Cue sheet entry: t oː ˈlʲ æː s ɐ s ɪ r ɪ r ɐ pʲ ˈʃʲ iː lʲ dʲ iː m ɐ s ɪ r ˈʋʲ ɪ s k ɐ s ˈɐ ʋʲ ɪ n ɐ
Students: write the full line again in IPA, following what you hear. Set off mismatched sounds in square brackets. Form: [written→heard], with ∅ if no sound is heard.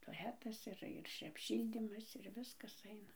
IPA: t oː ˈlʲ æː [s→t] ɐ s ɪ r ɪ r ɐ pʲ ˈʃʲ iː lʲ dʲ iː m ɐ s ɪ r ˈʋʲ ɪ s k ɐ s ˈɐ [ʋʲ→∅] ɪ n ɐ